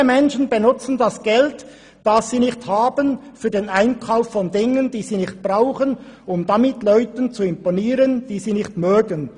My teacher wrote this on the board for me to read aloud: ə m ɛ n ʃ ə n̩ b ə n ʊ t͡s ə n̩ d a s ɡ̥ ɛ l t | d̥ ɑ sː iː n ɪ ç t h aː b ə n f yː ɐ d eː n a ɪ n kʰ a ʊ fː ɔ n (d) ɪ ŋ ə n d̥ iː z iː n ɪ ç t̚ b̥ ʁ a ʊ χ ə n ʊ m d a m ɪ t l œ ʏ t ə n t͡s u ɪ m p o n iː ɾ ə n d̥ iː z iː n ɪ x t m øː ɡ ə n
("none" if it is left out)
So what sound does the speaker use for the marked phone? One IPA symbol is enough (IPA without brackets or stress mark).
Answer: d